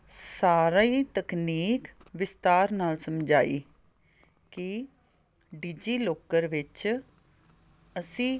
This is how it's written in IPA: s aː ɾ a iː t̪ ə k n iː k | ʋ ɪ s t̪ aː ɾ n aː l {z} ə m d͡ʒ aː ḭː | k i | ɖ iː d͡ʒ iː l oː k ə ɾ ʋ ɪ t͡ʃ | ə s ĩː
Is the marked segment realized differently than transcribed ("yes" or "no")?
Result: yes